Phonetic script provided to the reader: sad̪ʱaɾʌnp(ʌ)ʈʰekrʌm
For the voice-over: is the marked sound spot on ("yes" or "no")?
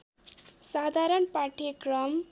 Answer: no